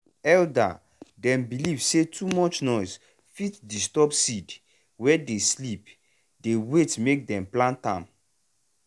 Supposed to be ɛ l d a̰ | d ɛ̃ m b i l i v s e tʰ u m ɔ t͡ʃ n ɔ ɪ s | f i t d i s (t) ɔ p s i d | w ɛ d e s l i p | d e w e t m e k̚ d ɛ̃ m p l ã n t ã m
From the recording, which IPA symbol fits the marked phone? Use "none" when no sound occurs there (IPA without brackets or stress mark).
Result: t